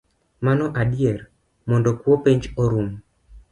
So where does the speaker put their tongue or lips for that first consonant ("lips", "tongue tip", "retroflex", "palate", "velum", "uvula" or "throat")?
lips